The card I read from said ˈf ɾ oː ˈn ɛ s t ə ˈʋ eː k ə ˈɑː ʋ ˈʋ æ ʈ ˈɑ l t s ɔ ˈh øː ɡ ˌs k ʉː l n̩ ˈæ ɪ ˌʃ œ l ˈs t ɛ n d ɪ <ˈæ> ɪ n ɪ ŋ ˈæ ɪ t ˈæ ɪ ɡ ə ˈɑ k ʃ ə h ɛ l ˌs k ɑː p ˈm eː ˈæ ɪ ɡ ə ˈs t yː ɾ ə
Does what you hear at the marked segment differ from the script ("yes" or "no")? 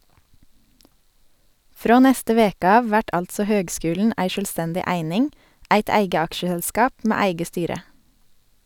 no